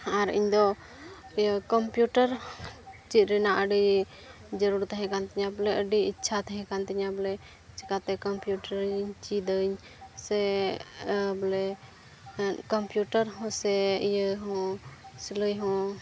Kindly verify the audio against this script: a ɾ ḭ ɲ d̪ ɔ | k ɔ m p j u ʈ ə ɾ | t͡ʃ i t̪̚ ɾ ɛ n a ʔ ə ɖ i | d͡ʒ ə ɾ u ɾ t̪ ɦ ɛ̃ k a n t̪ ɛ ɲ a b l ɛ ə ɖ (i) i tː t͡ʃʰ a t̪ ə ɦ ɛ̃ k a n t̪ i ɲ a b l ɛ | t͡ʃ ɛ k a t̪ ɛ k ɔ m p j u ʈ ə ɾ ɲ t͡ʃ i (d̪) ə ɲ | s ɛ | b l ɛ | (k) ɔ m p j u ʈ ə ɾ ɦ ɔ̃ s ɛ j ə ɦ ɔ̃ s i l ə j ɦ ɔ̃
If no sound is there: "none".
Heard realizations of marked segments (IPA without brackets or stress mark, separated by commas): i, d̪, k